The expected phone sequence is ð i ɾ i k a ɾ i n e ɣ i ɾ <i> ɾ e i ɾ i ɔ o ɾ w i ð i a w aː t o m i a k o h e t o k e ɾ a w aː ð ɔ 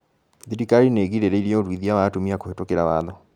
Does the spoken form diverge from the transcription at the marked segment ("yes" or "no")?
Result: yes